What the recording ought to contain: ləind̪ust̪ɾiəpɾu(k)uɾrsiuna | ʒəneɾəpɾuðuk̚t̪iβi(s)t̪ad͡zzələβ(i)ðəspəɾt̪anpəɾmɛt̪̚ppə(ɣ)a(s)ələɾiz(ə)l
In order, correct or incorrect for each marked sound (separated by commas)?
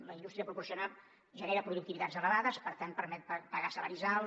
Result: incorrect, incorrect, incorrect, correct, correct, incorrect